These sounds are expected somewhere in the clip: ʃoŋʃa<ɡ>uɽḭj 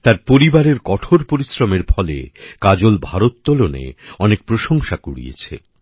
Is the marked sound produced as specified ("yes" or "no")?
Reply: no